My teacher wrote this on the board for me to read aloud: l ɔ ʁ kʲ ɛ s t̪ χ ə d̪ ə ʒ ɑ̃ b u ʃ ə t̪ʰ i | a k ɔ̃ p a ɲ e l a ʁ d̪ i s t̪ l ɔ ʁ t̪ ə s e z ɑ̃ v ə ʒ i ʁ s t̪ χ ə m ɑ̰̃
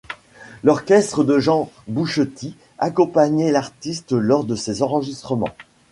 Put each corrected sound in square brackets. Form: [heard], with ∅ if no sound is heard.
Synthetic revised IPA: l ɔ ʁ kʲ ɛ s t̪ χ ə d̪ ə ʒ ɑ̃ b u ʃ ə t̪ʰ i | a k ɔ̃ p a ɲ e l a ʁ [t̪] i s t̪ l ɔ ʁ [d̪] ə s e z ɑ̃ [ʁ] ə ʒ i [∅] s t̪ χ ə m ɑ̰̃